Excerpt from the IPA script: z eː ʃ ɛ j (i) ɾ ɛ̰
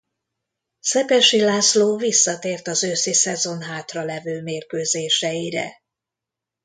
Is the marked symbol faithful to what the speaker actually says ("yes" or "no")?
yes